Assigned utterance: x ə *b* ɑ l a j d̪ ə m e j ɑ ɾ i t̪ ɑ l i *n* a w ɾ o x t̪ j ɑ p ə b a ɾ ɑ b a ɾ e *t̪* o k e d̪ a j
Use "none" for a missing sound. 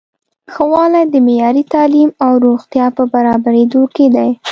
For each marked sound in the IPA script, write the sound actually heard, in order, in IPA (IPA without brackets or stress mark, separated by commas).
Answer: w, m, d̪